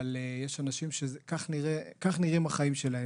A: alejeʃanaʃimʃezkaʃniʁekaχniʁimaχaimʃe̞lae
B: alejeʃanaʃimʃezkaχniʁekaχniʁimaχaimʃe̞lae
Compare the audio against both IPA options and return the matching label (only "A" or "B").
B